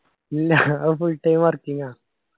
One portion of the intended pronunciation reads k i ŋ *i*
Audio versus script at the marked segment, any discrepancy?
yes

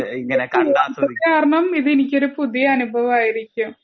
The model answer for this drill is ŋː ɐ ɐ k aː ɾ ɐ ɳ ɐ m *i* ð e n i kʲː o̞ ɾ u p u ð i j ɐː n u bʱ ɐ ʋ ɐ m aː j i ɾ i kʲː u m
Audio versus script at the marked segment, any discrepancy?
no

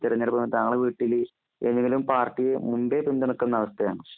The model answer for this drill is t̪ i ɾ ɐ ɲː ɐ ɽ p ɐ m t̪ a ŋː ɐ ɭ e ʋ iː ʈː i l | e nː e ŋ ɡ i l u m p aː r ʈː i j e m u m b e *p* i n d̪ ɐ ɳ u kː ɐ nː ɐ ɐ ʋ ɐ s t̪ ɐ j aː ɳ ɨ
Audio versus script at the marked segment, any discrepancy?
no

